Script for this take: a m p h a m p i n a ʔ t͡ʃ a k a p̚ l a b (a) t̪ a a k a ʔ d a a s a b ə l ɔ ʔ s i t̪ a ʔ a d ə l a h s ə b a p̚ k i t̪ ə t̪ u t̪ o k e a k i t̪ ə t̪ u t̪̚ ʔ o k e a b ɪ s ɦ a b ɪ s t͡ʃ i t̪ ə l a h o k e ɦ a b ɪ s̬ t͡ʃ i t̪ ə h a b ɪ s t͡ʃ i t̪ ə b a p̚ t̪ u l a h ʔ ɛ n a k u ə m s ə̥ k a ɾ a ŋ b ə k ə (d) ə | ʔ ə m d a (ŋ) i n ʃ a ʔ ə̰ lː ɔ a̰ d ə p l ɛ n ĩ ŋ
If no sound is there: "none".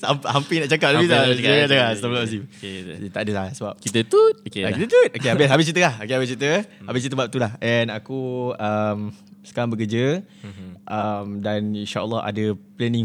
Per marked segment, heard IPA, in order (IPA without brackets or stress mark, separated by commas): i, d͡ʒ, n